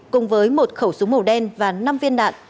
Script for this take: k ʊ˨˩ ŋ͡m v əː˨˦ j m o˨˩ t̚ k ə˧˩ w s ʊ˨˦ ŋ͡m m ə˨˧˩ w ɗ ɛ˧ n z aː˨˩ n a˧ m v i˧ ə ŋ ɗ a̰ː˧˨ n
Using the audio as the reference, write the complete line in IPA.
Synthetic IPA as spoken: k ʊ˨˩ ŋ͡m v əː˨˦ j m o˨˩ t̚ x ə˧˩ w s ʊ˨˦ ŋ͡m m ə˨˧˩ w ɗ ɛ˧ n v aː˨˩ n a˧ m v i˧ ə n ɗ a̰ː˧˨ n

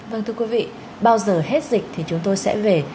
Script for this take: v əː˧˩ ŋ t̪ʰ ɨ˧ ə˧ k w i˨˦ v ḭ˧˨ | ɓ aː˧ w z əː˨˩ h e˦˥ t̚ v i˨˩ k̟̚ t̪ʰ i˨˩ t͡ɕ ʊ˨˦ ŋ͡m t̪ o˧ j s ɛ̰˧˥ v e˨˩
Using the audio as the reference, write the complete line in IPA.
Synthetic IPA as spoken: v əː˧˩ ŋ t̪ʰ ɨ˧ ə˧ k w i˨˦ v ḭ˧˨ | ɓ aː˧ w z əː˨˩ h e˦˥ t̚ z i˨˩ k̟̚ t̪ʰ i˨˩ t͡ɕ ʊ˨˦ ŋ͡m t̪ o˧ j s ɛ̰˧˥ v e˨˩

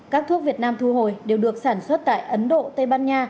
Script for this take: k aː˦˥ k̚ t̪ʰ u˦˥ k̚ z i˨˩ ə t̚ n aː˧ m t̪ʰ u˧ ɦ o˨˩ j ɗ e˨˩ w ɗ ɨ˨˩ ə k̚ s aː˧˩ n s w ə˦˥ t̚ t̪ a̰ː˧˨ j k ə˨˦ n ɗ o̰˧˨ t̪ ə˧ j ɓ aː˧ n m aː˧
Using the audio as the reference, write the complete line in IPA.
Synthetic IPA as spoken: k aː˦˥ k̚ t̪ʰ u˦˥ k̚ v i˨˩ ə t̚ n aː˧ m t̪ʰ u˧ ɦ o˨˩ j ɗ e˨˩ w ɗ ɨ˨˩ ə k̚ s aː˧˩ n s w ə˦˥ t̚ t̪ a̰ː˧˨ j ʔ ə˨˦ n ɗ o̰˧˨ t̪ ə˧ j ɓ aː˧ n ɲ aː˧

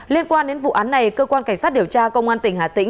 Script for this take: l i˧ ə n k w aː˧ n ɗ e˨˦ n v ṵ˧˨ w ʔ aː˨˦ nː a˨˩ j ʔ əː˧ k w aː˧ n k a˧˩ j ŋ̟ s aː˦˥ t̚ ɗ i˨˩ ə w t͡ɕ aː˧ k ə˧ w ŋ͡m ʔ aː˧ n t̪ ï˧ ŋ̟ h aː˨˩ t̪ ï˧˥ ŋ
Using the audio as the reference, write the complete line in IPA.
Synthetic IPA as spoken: l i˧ ə n k w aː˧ n ɗ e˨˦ n v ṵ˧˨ ʔ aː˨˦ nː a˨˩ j k əː˧ k w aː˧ n k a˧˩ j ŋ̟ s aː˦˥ t̚ ɗ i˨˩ ə w t͡ɕ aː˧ k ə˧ w ŋ͡m ʔ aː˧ n t̪ ï˧˩ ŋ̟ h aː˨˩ t̪ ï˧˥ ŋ

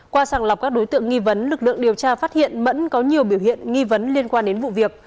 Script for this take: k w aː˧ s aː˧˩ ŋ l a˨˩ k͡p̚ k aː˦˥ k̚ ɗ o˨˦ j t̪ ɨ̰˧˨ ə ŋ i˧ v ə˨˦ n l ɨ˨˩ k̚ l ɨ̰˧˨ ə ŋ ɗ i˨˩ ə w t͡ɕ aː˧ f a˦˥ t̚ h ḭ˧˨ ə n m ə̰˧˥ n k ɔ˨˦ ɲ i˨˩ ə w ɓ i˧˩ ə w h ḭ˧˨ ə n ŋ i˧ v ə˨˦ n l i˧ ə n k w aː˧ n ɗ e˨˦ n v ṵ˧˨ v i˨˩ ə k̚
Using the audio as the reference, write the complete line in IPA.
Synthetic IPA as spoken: k w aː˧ s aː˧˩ ŋ l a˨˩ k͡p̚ k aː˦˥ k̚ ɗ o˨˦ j t̪ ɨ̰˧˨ ə ŋ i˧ v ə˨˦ n l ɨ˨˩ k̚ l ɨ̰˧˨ ə ŋ ɗ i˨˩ ə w t͡ɕ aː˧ f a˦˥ t̚ h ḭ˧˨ ə n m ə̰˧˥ n k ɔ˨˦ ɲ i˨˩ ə w ɓ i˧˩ ə w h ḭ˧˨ ə n ŋ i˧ v ə˨˦ n l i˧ ə n k w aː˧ n ɗ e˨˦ n v ṵ˧˨ v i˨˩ ə k̚

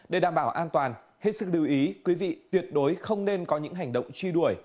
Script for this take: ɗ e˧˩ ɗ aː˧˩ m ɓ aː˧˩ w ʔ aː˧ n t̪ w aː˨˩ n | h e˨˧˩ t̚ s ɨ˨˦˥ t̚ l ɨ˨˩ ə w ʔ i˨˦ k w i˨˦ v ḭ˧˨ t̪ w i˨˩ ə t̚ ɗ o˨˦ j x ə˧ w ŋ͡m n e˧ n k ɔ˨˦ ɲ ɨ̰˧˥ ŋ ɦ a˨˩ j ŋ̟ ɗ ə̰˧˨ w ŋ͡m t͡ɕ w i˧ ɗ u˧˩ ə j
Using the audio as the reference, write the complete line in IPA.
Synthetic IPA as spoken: ɗ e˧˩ ɗ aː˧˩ m ɓ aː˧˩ w ʔ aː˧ n t̪ w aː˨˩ n | h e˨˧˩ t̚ s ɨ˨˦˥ k̚ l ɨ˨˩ ə w ʔ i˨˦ k w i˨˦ v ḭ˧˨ t̪ w i˨˩ ə t̚ ɗ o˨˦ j x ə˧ w ŋ͡m n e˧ n k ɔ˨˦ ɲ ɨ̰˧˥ ŋ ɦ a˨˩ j ŋ̟ ɗ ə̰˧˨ w ŋ͡m t͡ɕ w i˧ ɗ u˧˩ ə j

